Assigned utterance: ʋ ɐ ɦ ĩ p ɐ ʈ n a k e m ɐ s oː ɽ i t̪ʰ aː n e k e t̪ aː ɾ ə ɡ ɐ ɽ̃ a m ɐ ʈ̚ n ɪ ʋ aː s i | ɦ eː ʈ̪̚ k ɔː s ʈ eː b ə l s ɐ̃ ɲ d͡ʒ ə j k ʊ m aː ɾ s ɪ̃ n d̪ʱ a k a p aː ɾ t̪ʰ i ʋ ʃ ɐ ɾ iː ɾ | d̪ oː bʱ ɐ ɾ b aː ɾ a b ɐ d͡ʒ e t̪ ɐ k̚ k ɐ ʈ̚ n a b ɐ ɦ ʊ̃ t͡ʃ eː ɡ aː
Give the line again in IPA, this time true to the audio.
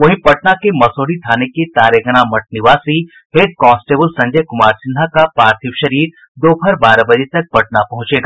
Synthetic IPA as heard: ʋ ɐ ɦ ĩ p ɐ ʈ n a k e m ɐ s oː ɽ i t̪ʰ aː n e k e t̪ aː ɾ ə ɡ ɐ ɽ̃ a m ɐ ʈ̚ n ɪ ʋ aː s i | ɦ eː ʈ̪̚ k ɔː s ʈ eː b ə l s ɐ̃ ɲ d͡ʒ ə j k ʊ m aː ɾ s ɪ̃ n d̪ʱ a k a p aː ɾ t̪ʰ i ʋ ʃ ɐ ɾ iː ɾ | d̪ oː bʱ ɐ ɾ b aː ɾ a b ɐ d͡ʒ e t̪ ɐ k̚ p ɐ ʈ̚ n a p ɐ ɦ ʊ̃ t͡ʃ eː ɡ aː